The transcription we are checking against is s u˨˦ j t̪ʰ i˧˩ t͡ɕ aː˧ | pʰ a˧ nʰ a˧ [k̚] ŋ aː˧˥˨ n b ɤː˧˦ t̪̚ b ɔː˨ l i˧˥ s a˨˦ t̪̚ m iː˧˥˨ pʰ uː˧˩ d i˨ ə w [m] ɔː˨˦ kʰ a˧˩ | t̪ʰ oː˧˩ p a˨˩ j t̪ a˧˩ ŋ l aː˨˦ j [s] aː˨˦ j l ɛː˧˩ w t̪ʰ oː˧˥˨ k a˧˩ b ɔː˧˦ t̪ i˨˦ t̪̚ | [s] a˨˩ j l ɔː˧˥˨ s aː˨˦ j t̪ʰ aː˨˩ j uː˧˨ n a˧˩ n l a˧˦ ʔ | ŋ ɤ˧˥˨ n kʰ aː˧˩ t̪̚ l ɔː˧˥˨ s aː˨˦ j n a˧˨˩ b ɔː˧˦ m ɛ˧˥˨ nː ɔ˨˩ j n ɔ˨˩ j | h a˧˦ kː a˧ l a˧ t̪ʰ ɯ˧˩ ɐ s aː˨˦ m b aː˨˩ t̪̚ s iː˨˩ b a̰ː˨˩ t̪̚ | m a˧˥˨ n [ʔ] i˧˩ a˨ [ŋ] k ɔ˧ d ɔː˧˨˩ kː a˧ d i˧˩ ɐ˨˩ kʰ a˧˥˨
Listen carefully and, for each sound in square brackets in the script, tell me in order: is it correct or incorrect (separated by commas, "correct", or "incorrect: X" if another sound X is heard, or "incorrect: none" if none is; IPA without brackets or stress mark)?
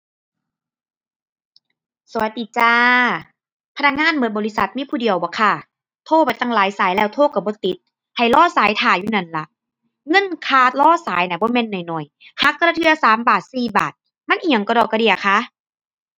correct, incorrect: b, correct, incorrect: h, correct, correct